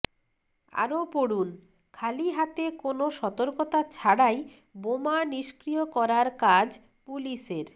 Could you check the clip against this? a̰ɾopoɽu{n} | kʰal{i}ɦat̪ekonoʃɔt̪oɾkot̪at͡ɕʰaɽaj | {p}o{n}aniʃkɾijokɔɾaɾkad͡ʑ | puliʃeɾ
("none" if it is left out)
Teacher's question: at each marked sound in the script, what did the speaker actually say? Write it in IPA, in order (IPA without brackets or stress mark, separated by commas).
n, i, b, m